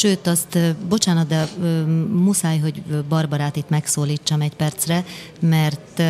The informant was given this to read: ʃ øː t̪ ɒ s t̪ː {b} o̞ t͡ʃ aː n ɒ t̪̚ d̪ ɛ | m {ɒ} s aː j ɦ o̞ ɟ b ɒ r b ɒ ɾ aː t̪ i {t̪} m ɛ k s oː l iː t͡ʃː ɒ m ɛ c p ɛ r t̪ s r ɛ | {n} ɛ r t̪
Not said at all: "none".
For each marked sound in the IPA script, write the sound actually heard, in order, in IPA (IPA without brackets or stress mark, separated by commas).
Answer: b, u, t̪, m